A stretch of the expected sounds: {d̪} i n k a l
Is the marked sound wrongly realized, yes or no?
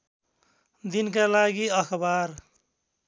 no